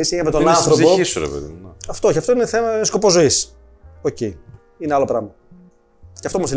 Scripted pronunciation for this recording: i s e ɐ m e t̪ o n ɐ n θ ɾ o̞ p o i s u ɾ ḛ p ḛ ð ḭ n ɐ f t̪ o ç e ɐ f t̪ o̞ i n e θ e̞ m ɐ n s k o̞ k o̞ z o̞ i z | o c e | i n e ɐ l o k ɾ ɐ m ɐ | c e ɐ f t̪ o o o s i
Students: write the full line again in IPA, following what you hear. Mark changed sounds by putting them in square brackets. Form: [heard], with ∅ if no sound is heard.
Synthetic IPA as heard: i s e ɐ m e t̪ o n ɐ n θ ɾ o̞ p o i s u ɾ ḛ p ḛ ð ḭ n ɐ f t̪ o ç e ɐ f t̪ o̞ i n e θ e̞ m ɐ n s k o̞ [p] o̞ z o̞ i [s] | o c e | i n e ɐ l o [p] ɾ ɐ m ɐ | c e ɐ f t̪ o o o s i